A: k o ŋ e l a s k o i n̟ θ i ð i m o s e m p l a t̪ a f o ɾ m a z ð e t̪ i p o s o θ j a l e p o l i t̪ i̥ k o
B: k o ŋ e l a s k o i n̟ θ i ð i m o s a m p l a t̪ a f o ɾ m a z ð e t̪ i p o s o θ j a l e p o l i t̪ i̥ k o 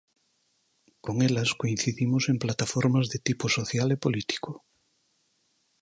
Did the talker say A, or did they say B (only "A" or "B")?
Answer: A